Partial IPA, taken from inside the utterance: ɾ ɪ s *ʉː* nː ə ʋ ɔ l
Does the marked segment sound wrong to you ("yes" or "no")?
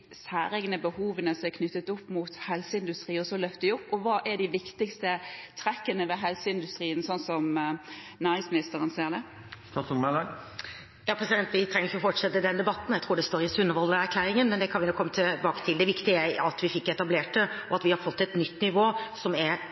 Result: yes